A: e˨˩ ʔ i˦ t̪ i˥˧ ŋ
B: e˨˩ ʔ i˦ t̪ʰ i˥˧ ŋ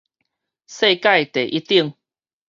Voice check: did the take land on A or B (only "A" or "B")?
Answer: A